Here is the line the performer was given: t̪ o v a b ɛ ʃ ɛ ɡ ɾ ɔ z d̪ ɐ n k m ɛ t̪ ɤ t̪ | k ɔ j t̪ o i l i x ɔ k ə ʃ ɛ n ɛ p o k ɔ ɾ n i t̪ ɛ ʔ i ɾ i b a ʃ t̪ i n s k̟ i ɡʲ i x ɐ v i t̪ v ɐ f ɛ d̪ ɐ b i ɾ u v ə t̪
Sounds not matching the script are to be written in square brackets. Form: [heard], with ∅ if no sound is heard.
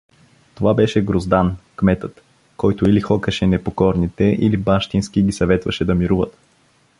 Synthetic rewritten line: t̪ o v a b ɛ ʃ ɛ ɡ ɾ [o] z d̪ [a] n k m ɛ t̪ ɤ t̪ | k ɔ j t̪ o i l i x ɔ k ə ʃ ɛ n ɛ p o k ɔ ɾ n i t̪ ɛ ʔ i [l] i b a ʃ t̪ i n s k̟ i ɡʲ i [s] ɐ v [ɛ] t̪ v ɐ [ʃ] ɛ d̪ ɐ [m] i ɾ u v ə t̪